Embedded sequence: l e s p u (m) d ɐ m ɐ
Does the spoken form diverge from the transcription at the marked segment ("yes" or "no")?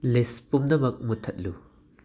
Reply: no